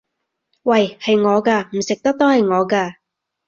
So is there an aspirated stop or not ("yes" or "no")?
no